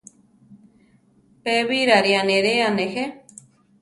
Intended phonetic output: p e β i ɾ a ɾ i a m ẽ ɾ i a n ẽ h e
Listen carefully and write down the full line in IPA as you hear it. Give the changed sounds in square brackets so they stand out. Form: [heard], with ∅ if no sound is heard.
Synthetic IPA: p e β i ɾ a ɾ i a [n] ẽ ɾ [e] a n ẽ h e